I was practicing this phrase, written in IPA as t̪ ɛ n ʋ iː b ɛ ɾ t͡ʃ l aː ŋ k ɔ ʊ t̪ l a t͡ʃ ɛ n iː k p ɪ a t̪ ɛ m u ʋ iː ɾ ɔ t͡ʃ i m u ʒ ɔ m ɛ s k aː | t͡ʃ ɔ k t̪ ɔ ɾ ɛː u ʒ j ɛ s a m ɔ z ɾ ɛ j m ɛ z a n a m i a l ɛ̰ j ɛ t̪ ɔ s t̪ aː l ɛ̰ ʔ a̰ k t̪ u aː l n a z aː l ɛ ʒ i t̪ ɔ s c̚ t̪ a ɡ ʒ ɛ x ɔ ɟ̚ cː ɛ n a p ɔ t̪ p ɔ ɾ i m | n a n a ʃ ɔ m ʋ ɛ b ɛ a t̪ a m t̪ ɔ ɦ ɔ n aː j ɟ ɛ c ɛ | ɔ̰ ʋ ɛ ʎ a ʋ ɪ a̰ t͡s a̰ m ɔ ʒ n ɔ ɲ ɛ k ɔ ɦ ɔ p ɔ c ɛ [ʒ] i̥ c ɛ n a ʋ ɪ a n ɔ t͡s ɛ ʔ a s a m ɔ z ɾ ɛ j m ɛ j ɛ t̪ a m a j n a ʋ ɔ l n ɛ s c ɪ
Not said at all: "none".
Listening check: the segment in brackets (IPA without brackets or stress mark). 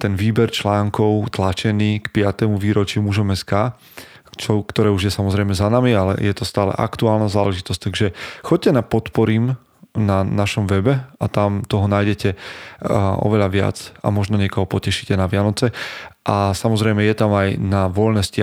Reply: ʃ